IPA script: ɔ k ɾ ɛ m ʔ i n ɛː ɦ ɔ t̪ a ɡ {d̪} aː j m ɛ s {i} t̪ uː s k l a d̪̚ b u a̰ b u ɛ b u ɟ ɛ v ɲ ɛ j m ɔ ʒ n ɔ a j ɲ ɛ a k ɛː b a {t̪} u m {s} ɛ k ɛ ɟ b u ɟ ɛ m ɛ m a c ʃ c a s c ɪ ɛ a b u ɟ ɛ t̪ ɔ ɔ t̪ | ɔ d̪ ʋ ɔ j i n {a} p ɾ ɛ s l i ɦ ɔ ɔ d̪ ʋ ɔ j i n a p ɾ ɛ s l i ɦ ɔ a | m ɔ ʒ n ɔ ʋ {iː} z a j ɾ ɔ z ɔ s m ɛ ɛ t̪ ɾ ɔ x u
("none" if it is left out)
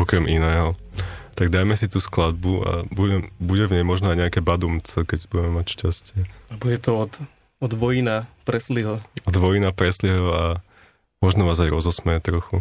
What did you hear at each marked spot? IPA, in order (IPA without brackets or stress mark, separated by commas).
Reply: d̪, i, d̪, t͡s, a, aː